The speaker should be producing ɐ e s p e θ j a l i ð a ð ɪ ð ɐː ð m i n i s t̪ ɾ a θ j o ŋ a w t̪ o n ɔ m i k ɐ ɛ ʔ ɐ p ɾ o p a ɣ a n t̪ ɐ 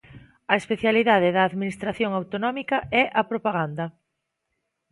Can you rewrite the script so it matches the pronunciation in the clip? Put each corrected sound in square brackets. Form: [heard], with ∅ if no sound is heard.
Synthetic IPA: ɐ e s p e θ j a l i ð a ð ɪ ð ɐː ð m i n i s t̪ ɾ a θ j o ŋ a w t̪ o n ɔ m i k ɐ ɛ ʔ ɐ p ɾ o p a ɣ a n [d̪] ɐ